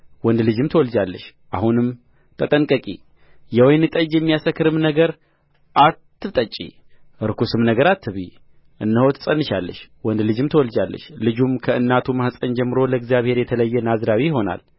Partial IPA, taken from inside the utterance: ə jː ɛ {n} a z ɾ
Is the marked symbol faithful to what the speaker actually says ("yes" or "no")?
yes